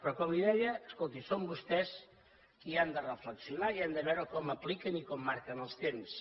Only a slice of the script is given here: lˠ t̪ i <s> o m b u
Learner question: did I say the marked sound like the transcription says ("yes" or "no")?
yes